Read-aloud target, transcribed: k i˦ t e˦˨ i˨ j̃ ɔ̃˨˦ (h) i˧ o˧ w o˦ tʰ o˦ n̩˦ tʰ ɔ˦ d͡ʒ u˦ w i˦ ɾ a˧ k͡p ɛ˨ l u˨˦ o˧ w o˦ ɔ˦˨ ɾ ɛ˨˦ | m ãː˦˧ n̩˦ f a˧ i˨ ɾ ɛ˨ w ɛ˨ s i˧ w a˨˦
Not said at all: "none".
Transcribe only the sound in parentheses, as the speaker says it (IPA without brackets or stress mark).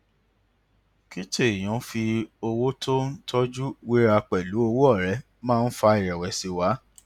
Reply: f